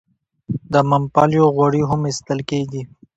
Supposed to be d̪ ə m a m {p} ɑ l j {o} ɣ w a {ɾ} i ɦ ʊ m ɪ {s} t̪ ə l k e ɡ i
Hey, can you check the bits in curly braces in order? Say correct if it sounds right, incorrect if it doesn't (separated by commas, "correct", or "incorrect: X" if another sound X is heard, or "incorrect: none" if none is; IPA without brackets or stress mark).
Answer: correct, correct, incorrect: ɽ, correct